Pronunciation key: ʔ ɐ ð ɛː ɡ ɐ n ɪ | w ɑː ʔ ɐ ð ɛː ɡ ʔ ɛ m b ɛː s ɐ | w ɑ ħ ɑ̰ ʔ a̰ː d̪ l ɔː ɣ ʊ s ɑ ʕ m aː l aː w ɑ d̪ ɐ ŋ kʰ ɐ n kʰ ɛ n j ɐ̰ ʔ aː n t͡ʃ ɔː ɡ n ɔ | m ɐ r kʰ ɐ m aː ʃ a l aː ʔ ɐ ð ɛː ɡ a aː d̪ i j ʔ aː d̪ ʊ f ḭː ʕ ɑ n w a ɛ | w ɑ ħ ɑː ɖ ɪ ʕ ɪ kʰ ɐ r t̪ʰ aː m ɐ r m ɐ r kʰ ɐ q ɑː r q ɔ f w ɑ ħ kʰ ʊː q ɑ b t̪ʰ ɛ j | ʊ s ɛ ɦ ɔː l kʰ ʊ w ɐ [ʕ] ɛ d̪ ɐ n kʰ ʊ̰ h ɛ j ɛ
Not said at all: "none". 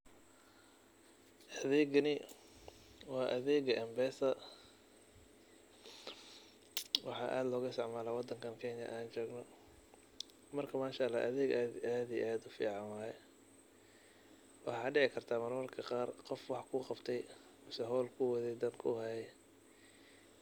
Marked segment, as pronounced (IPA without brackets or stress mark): ð